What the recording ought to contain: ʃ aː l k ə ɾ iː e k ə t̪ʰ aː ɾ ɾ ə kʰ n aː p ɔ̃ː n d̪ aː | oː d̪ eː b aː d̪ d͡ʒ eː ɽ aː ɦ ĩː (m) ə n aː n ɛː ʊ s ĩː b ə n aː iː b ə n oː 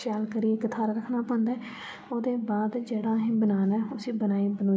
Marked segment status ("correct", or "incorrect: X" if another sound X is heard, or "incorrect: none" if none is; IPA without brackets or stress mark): incorrect: b